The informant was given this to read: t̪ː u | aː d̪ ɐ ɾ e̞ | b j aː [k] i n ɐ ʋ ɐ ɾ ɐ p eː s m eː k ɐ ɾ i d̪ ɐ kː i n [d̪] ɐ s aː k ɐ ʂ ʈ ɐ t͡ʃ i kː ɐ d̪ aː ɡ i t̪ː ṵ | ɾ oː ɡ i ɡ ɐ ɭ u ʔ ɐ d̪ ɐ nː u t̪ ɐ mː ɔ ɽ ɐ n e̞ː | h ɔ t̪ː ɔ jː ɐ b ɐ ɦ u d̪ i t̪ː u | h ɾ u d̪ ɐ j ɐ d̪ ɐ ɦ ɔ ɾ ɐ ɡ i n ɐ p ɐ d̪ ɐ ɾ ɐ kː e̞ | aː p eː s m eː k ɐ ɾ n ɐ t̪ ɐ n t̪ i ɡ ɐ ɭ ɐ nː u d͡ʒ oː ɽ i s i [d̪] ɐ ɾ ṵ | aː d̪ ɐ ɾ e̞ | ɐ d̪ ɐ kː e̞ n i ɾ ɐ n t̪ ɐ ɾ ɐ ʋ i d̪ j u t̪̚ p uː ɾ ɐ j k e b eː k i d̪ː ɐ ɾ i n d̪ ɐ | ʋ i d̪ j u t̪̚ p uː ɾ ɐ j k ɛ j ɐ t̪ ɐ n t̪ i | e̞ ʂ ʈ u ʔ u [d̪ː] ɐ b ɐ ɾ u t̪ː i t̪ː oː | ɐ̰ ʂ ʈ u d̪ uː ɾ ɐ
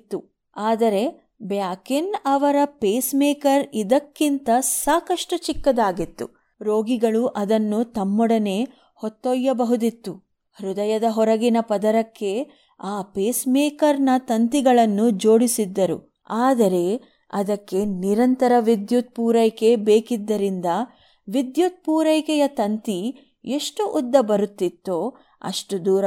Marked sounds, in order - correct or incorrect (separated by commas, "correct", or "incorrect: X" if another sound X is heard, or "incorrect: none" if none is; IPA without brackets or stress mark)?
correct, incorrect: t̪, incorrect: d̪ː, correct